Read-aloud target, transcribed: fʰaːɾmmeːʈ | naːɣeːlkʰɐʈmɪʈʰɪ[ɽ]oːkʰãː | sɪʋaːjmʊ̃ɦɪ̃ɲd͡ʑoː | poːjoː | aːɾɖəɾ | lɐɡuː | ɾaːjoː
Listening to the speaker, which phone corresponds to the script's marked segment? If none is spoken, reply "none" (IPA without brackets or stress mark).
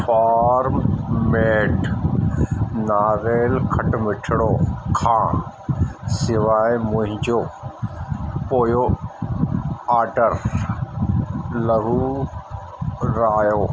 ɽ